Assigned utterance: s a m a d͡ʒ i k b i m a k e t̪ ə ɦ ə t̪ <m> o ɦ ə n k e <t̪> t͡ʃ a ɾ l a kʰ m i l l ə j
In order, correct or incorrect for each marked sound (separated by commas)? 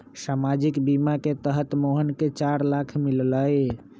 correct, incorrect